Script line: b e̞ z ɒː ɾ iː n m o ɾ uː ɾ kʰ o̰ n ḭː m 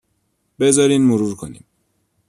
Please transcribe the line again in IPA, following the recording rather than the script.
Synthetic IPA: b e̞ z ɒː ɾ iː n m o ɾ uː ɾ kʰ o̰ n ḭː m